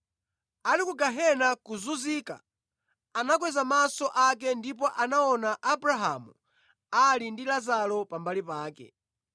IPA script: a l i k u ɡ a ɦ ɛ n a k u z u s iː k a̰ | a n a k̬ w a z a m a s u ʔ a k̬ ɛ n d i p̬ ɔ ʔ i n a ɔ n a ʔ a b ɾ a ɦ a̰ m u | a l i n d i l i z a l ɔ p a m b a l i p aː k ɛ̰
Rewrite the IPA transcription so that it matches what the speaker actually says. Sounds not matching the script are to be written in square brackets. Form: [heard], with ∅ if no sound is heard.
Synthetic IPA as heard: a l i k u ɡ a ɦ ɛ n a k u z u [z] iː k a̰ | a n a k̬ w [ɛ] z a m a s [ɔ] ʔ a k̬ ɛ n d i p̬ ɔ ʔ [a] n a ɔ n a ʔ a b ɾ a ɦ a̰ m u | a l i n d i l [a] z a l ɔ p a m b a l i p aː k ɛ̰